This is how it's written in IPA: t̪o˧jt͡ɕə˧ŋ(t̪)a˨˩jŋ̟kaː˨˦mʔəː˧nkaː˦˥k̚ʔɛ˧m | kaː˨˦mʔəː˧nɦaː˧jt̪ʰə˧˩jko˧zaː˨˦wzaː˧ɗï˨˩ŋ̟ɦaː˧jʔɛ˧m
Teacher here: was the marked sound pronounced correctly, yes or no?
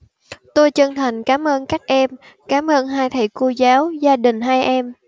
no